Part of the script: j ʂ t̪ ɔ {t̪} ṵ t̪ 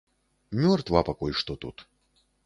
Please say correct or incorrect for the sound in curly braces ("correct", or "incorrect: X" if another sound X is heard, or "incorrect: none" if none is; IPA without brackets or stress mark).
correct